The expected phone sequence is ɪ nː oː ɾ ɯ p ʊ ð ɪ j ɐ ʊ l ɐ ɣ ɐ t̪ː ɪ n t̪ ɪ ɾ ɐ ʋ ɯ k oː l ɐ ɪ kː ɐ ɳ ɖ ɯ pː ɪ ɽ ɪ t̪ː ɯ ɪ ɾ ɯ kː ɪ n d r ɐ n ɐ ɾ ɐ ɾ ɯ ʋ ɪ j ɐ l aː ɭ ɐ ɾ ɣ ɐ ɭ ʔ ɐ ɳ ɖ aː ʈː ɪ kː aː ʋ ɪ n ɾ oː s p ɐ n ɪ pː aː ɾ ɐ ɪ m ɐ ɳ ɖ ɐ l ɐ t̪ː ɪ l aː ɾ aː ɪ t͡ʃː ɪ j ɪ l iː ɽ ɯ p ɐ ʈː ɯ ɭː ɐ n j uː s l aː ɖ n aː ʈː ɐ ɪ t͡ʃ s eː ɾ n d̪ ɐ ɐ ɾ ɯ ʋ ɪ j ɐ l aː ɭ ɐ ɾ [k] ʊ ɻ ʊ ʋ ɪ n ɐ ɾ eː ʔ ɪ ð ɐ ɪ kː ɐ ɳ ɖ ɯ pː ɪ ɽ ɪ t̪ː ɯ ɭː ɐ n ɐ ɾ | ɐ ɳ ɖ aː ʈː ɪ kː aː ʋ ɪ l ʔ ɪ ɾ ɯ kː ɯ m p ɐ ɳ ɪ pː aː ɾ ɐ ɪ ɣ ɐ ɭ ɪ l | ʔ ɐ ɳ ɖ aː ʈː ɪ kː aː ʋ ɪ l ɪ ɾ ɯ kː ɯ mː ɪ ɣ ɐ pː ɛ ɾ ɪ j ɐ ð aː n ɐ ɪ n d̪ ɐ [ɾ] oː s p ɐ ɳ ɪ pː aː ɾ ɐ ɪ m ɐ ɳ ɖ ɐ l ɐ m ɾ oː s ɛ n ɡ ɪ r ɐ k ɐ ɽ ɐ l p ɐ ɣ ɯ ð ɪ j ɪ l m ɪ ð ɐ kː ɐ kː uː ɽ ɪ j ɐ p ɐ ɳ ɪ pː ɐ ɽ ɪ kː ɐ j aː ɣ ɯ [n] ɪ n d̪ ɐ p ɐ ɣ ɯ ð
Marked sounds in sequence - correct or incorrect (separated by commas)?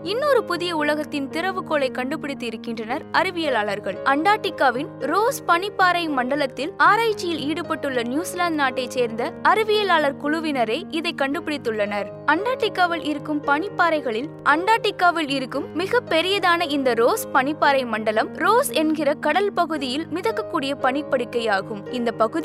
correct, correct, incorrect